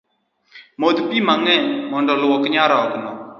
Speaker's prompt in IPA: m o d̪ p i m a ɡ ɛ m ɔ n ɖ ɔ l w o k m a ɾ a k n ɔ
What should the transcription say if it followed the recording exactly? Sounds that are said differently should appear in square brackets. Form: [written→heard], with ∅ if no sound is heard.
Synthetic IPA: m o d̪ p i m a [ɡ→ŋ] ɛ m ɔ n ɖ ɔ l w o k [m→ɲ] a ɾ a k n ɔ